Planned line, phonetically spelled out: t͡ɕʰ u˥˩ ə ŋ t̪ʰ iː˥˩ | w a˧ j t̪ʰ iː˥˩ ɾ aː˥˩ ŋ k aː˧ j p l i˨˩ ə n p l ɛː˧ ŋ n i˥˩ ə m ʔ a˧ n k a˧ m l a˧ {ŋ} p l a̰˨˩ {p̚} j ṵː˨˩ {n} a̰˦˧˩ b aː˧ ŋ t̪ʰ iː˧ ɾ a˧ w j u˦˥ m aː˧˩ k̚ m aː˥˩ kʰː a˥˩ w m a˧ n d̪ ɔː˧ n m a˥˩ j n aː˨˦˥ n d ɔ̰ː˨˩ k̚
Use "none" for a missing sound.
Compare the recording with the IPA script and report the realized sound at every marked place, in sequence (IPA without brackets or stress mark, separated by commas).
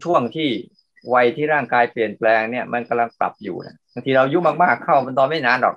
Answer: ŋ, p̚, n